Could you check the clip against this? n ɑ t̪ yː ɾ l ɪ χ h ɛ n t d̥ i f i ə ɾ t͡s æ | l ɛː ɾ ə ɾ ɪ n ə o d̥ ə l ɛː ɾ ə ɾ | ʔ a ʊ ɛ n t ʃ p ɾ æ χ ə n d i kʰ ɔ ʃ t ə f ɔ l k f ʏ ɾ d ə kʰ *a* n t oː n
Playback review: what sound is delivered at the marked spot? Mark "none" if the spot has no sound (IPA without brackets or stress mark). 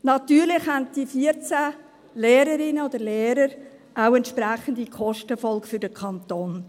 ɑ